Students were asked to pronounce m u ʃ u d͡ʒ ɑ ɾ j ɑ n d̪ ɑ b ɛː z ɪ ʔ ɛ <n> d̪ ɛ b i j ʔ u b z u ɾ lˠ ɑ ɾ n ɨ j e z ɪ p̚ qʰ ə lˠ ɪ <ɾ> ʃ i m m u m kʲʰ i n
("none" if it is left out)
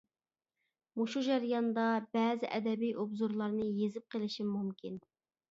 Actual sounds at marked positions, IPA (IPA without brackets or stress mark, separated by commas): none, none